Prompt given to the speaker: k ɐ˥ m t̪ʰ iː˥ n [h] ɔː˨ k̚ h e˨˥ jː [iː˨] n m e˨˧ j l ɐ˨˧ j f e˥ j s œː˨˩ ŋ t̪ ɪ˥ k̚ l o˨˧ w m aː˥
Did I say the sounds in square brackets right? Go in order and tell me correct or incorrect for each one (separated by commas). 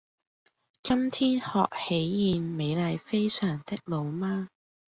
correct, correct